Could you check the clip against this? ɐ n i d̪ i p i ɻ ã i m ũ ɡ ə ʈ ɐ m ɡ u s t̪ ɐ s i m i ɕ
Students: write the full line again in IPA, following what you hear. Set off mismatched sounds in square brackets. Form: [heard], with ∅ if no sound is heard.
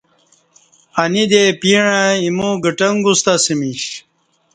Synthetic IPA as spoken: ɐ n i d̪ [e] p i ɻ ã i m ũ ɡ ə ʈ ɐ [ŋ] ɡ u s t̪ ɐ s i m i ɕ

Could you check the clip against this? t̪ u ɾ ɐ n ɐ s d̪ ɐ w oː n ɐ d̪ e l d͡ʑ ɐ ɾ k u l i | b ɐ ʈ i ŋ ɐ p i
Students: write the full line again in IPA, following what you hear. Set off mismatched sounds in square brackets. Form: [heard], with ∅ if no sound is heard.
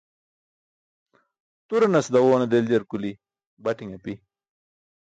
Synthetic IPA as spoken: t̪ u ɾ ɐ n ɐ s d̪ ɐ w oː n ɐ d̪ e l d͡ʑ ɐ ɾ k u l i | b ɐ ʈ i ŋ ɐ p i

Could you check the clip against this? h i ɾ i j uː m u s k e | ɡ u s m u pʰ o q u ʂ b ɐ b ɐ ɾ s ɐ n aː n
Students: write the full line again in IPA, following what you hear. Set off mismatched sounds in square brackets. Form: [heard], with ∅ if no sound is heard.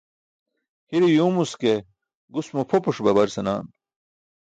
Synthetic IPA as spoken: h i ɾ i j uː m u s k e | ɡ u s m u pʰ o [p] u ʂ b ɐ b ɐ ɾ s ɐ n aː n

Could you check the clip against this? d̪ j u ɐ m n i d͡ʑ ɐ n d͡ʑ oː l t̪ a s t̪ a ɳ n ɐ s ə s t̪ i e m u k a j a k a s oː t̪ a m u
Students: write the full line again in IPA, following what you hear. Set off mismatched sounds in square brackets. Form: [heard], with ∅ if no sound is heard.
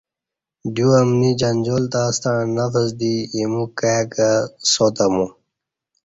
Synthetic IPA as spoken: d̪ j u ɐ m n i d͡ʑ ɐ n d͡ʑ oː l t̪ a s t̪ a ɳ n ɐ [f] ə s [d̪] i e m u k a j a k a s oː t̪ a m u

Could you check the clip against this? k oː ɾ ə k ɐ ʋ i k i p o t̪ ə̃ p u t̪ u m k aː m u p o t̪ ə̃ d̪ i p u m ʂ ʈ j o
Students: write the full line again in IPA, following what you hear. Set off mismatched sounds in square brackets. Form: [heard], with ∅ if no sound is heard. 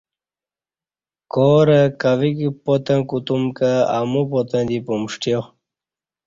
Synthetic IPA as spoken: k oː ɾ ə k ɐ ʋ i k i p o t̪ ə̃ [k] u t̪ u m k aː m u p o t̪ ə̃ d̪ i p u m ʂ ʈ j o

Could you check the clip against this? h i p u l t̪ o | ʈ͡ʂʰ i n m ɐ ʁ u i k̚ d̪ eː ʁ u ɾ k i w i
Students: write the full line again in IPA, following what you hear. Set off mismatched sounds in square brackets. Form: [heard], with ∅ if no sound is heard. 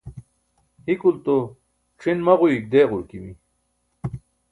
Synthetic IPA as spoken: h i [k] u l t̪ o | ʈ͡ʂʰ i n m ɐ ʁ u i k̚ d̪ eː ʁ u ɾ k i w i

